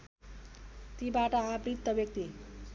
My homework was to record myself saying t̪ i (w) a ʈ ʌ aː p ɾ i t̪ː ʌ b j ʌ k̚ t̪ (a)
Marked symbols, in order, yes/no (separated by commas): no, no